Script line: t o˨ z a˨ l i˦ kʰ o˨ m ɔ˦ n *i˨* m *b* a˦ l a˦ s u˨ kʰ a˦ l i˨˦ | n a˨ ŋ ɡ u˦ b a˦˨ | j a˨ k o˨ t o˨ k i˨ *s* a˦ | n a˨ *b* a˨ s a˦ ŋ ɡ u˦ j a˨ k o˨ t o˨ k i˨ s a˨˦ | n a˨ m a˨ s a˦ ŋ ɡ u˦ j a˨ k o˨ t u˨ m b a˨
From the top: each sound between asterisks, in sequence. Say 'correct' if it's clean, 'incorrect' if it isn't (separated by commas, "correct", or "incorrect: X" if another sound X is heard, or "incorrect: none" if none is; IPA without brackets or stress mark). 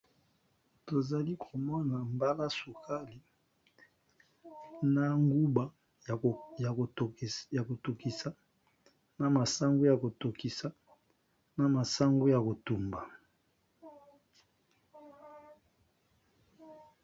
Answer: incorrect: a˨, correct, correct, incorrect: m